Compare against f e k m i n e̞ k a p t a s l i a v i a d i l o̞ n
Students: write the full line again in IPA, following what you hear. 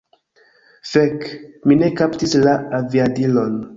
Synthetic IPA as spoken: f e k m i n e̞ k a p t i s l a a v i a d i l o̞ n